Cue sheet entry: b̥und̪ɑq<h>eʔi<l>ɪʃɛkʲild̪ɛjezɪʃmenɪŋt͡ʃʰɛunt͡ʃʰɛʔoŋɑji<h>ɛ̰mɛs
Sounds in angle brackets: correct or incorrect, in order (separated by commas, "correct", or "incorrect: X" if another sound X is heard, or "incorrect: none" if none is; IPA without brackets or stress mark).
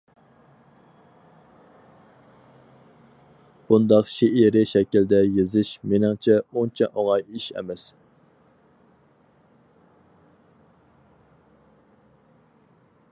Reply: incorrect: ʃ, incorrect: ɾ, incorrect: ʃ